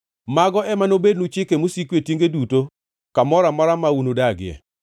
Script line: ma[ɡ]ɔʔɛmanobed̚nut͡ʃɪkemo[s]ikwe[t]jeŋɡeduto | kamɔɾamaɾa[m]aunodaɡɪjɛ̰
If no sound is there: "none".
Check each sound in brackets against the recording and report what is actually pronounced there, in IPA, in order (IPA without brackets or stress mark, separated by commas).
ɡ, s, t, m